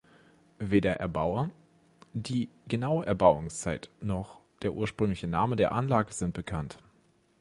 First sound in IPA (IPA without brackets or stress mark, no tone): v